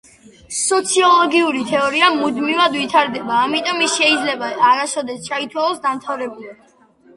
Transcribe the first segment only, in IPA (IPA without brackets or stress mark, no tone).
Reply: s